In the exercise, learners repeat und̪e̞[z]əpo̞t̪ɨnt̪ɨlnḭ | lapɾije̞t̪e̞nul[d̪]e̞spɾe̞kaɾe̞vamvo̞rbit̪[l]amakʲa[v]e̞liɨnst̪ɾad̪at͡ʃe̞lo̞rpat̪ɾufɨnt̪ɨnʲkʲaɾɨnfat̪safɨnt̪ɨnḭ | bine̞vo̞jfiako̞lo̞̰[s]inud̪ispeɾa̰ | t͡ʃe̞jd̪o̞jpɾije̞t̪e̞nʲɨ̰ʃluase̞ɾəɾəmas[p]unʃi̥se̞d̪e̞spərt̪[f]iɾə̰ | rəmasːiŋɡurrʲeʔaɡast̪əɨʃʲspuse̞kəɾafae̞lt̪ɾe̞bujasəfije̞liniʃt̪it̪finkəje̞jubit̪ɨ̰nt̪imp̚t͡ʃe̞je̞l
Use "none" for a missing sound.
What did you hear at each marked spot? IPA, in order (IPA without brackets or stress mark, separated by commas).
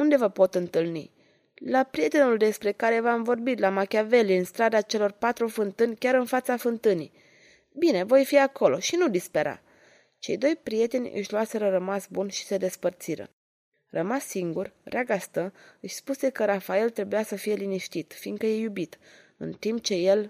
v, d̪, l, v, ʃ, b, s